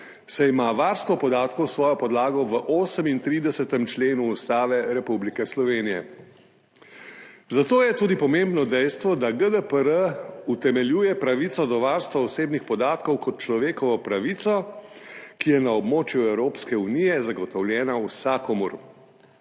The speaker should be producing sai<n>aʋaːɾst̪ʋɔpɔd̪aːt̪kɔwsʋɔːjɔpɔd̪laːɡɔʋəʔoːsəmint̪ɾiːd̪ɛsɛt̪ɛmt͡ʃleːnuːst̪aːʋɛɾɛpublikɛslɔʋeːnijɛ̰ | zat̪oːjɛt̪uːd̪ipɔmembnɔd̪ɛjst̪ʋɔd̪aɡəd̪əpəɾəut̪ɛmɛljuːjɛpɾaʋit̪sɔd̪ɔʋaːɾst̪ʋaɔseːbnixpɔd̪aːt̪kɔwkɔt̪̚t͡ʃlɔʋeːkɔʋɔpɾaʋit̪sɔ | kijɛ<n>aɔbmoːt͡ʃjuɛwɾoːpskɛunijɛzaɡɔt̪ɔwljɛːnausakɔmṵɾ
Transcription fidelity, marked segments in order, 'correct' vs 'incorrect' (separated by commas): incorrect, correct